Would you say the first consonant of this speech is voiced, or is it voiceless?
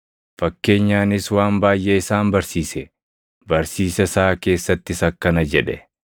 voiceless